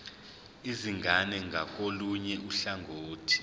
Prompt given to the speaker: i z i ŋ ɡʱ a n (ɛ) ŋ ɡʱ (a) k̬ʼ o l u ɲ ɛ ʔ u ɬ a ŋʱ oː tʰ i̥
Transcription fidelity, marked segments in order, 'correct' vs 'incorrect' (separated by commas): correct, correct